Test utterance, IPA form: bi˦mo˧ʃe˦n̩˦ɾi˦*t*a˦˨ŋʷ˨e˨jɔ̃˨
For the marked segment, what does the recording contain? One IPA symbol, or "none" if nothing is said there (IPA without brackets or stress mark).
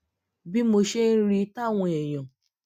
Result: t